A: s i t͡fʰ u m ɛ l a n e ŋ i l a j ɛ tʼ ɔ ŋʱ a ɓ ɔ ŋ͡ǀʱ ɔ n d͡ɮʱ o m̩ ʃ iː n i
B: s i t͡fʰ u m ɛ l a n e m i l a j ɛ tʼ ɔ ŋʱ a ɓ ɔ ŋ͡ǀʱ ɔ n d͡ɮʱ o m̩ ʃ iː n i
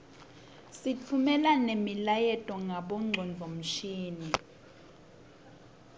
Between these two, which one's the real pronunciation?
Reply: B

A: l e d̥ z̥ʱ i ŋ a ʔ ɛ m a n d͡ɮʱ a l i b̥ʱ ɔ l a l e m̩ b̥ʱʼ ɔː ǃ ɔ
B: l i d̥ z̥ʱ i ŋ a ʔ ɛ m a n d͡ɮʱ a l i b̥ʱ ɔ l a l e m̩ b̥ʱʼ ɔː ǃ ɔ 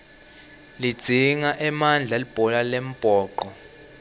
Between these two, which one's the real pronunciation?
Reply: B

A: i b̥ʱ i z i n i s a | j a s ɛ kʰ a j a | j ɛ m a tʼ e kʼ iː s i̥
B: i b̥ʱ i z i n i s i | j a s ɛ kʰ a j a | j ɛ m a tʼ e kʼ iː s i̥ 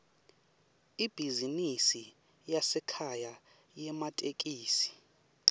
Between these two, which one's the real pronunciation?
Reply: B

